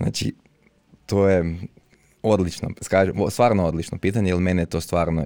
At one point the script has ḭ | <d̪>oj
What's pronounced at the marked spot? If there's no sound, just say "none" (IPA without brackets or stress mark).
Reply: t̪